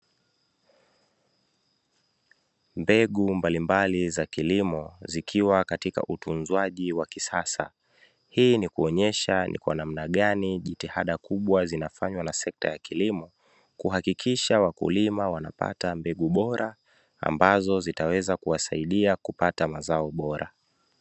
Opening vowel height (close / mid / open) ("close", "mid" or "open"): mid